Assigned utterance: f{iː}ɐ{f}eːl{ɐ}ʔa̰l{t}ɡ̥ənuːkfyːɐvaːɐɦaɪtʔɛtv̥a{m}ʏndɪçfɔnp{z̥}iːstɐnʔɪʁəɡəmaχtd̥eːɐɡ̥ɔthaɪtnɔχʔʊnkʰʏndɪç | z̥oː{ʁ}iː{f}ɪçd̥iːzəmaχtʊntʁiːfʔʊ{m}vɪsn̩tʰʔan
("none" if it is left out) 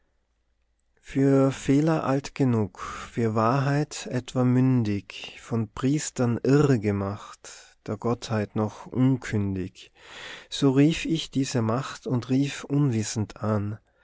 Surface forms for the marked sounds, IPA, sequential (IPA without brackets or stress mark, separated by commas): yː, f, ɐ, t, m, ʁ̥, ʁ, f, n